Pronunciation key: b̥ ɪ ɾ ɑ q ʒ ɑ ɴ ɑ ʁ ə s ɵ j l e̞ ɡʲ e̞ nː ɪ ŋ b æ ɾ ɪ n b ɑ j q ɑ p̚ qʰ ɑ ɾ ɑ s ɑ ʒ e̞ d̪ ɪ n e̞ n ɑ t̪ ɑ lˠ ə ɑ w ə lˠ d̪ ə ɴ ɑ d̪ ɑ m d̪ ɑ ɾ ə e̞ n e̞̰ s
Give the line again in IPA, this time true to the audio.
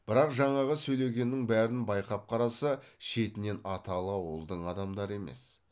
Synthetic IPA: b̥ ɪ ɾ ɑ q ʒ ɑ ɴ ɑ ʁ ə s ɵ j l e̞ ɡʲ e̞ nː ɪ ŋ b æ ɾ ɪ n b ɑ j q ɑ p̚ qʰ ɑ ɾ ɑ s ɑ ʃ e̞ t̪ ɪ n e̞ n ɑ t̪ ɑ lˠ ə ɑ w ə lˠ d̪ ə ɴ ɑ d̪ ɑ m d̪ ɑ ɾ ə e̞ m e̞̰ s

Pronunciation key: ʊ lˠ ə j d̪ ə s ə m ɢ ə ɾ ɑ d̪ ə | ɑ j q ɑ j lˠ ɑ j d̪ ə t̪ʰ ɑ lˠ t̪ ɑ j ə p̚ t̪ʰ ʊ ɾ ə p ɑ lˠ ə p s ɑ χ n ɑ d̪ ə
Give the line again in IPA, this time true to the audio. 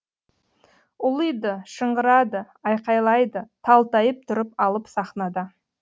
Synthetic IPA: ʊ lˠ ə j d̪ ə ʃ ə ɴ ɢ ə ɾ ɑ d̪ ə | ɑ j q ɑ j lˠ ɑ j d̪ ə t̪ʰ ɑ lˠ t̪ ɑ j ə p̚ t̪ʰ ʊ ɾ ə p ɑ lˠ ə p s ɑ χ n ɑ d̪ ə

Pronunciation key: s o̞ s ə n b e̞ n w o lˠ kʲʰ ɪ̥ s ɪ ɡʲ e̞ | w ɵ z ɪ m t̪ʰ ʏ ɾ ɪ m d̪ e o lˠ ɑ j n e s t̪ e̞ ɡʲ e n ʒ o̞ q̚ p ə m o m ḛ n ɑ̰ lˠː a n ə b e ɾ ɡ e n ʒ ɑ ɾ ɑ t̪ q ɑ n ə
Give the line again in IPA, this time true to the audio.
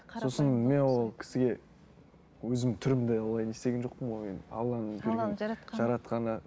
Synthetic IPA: s o̞ s ə n m e̞ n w o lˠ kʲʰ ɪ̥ s ɪ ɡʲ e̞ | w ɵ z ɪ m t̪ʰ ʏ ɾ ɪ m d̪ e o lˠ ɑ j n e s t̪ e̞ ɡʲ e n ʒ o̞ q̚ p ə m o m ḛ n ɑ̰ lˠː ɑ n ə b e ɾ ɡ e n ʒ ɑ ɾ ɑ t̪ q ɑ n ə

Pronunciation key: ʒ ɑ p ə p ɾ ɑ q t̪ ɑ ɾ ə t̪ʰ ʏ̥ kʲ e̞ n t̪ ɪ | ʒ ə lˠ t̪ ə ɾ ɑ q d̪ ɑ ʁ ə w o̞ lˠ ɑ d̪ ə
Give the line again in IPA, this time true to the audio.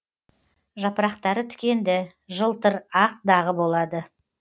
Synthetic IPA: ʒ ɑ p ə ɾ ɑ q t̪ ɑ ɾ ə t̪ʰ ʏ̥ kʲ e̞ n d̪ ɪ | ʒ ə lˠ t̪ ə ɾ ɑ q d̪ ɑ ʁ ə b o̞ lˠ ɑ d̪ ə

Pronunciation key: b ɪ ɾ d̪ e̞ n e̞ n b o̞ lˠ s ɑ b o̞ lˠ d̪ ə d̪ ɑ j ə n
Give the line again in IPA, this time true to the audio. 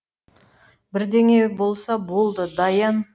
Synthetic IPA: b ɪ ɾ d̪ e̞ ŋ e̞ b o̞ lˠ s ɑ b o̞ lˠ d̪ ə d̪ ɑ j ɑ n

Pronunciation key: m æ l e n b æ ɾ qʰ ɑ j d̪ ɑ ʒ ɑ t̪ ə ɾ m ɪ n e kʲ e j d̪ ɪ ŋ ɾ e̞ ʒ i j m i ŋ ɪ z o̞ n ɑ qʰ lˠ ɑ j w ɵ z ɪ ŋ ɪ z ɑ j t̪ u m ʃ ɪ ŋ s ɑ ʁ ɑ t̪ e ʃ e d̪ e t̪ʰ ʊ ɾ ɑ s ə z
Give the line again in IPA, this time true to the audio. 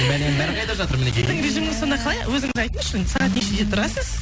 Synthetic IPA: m æ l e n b æ ɾ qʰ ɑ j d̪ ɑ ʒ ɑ t̪ ə ɾ m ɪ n e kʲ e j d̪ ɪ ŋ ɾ e̞ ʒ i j m ɪ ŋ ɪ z o̞ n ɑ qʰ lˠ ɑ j w ɵ z ɪ ŋ ɪ z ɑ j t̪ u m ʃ ɪ n s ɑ ʁ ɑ t̪ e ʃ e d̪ e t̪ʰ ʊ ɾ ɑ s ə z

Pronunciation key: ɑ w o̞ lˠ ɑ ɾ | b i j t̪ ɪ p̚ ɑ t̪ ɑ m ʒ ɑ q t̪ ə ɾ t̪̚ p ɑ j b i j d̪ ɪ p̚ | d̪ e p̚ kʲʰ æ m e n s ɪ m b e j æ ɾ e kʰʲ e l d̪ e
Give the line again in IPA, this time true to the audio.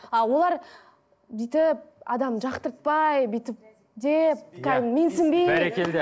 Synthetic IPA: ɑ w o̞ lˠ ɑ ɾ | b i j t̪ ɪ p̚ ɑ d̪ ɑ m ʒ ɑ q t̪ ə ɾ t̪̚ p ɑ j b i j t̪ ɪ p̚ | d̪ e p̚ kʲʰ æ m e n s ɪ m b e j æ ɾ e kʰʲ e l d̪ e

